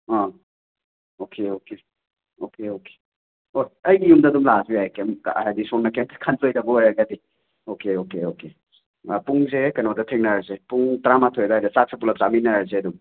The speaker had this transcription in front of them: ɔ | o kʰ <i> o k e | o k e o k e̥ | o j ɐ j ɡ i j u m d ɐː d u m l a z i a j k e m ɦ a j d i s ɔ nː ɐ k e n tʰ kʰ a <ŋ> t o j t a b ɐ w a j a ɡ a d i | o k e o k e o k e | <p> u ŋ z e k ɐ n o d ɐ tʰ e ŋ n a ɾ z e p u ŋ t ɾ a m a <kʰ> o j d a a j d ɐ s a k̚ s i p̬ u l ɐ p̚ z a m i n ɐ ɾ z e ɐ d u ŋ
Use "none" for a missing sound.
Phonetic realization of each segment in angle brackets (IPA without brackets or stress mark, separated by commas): e, n, p, tʰ